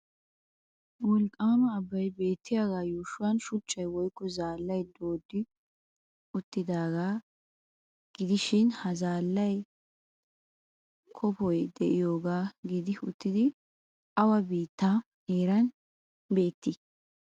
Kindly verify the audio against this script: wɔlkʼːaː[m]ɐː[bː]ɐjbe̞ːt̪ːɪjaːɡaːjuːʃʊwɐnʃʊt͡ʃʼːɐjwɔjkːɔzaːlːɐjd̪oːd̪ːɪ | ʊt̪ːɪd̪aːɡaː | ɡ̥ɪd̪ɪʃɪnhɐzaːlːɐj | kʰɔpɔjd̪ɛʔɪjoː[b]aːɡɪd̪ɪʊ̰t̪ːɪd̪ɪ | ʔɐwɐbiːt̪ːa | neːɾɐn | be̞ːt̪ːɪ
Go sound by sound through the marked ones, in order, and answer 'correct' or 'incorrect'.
correct, correct, incorrect: ɡ

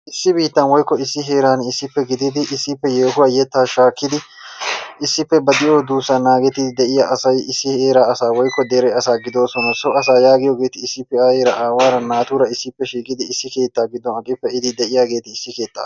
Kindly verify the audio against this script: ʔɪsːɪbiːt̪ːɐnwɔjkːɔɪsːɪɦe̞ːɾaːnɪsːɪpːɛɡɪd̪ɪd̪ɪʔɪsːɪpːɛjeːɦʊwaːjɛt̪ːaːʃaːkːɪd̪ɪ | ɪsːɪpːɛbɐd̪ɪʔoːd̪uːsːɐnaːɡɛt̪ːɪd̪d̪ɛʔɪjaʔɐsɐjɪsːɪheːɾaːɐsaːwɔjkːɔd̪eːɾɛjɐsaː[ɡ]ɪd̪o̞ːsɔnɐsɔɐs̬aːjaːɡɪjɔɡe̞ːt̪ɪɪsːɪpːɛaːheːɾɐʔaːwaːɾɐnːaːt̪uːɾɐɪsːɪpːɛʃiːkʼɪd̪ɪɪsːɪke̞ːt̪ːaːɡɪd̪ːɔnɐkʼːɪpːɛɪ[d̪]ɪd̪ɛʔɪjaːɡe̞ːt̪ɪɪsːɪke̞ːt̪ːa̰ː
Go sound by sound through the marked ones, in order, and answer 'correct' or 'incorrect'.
correct, correct

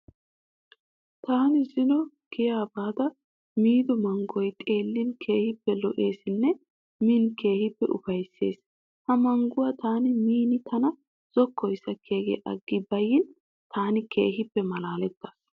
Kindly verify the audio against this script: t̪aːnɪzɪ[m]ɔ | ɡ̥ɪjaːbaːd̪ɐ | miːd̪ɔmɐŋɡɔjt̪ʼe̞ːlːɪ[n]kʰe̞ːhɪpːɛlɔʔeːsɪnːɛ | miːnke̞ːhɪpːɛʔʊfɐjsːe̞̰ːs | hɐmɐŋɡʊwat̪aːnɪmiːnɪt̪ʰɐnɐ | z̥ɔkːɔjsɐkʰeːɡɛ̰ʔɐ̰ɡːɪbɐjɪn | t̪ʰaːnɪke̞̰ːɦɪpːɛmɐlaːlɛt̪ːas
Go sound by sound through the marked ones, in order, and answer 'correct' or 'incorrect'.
incorrect: n, correct

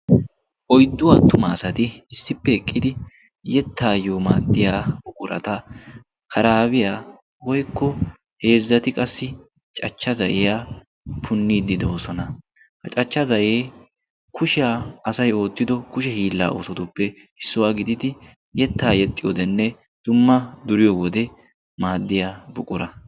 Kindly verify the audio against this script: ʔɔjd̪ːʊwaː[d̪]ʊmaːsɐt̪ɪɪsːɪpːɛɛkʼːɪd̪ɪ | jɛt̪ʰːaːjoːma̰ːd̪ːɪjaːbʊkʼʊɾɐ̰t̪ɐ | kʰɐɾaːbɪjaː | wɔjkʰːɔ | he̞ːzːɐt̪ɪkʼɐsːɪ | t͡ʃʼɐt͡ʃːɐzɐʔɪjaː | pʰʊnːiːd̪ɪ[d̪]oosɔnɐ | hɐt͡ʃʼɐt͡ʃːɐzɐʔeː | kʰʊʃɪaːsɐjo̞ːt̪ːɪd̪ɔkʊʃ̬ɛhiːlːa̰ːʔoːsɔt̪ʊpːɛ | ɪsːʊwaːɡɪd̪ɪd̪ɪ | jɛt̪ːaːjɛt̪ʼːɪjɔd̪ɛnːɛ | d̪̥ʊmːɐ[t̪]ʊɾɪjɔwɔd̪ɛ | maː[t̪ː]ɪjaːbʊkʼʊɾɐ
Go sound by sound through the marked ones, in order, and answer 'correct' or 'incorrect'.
incorrect: t̪, correct, incorrect: d̪, incorrect: d̪ː

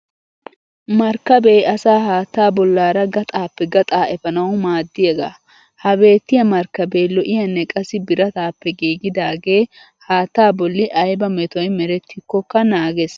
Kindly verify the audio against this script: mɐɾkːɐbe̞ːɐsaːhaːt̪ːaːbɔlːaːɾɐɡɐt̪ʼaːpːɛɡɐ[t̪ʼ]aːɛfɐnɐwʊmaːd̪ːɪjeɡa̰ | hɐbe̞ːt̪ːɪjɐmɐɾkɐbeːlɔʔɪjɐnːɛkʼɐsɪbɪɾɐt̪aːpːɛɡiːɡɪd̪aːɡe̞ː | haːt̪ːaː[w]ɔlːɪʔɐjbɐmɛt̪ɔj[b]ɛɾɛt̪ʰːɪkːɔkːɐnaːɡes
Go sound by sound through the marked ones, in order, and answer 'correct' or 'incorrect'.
correct, incorrect: b, incorrect: m

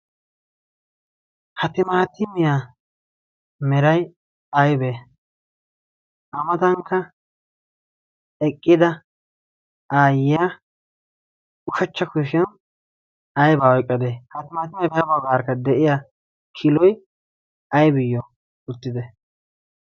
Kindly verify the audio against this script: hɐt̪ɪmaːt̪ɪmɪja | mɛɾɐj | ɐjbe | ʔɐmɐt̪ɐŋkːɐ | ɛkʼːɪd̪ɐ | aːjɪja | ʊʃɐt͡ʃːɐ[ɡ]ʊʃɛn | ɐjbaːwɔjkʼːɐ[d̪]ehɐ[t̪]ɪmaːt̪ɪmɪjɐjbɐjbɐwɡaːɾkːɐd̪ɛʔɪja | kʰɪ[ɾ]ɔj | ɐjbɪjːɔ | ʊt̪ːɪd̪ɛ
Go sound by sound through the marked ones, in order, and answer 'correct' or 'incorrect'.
incorrect: k, correct, correct, incorrect: l

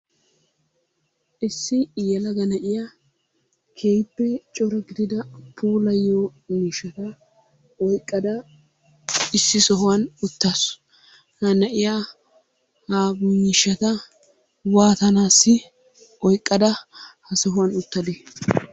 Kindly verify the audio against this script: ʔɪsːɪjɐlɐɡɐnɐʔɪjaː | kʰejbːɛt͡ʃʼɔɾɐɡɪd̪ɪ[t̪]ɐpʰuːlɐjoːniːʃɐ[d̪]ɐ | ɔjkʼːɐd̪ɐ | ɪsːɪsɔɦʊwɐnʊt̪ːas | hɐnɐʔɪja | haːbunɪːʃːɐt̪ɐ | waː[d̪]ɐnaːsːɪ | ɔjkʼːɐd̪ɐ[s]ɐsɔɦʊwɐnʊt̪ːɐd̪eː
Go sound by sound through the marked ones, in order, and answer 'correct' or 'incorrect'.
incorrect: d̪, incorrect: t̪, incorrect: t̪, incorrect: h

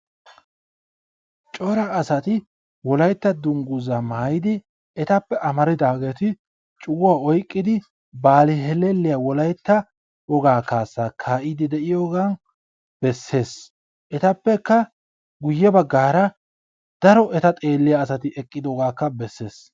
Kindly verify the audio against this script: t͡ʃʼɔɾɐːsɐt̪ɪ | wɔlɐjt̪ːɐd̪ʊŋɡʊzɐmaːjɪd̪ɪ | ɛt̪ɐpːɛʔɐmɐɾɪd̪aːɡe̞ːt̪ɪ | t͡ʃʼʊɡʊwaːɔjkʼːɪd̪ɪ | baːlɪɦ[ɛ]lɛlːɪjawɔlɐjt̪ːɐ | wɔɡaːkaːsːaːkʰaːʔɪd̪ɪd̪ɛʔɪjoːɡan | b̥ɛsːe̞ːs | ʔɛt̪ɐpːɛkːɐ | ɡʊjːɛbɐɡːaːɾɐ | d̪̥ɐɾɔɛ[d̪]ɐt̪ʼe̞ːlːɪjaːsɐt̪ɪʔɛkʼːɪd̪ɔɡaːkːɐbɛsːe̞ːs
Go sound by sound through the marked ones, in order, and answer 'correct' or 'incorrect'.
correct, incorrect: t̪

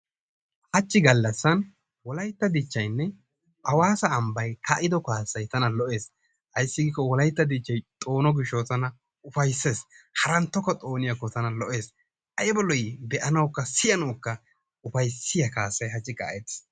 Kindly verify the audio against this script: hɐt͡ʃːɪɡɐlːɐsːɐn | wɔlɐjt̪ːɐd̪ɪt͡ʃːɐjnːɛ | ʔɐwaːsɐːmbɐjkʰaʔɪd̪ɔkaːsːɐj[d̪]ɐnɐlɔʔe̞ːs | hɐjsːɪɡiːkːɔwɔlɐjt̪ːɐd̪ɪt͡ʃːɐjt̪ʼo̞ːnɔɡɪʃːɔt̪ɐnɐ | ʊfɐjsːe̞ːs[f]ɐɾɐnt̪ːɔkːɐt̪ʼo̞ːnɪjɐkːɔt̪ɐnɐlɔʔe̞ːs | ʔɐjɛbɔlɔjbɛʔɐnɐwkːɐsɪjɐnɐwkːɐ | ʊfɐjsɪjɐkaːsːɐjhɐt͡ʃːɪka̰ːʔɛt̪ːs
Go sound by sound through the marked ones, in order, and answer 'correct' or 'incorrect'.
incorrect: t̪, incorrect: h

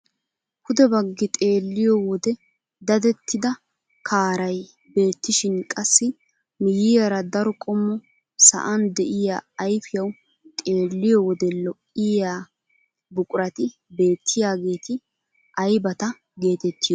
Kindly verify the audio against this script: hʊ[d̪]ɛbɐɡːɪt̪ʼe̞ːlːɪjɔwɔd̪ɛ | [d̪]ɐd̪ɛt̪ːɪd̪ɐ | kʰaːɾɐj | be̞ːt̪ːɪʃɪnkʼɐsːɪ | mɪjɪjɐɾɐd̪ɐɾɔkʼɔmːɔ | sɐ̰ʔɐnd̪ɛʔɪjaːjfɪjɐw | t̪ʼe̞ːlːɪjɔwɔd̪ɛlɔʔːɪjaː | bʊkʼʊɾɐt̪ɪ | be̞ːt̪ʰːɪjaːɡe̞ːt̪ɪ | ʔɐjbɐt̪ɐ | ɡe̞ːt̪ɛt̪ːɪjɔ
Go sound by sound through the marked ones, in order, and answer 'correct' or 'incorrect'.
correct, correct

